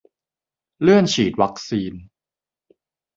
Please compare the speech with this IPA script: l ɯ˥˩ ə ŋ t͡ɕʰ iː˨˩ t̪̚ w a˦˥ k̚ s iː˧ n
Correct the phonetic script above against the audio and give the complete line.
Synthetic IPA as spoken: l ɯ˥˩ ə n t͡ɕʰ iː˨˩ t̪̚ w a˦˥ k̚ s iː˧ n